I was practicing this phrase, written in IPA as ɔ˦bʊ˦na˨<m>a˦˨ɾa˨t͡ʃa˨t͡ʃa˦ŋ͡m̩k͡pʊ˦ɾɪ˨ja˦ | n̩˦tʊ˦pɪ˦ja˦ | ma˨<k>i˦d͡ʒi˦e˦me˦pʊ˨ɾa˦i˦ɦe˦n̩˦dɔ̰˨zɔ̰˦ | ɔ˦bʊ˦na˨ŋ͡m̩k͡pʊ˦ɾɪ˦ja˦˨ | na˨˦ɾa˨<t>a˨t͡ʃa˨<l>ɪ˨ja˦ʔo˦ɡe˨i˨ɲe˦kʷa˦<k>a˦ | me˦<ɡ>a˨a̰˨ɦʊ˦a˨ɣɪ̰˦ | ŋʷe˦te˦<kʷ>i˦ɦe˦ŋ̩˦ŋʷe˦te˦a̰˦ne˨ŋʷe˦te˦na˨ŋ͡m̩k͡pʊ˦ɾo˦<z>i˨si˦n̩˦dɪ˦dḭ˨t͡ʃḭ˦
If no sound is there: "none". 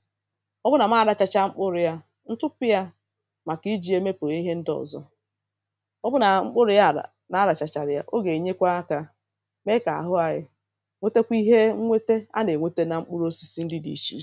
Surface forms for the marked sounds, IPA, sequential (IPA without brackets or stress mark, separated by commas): m, k, t͡ʃ, ɾ, k, k, kʷ, s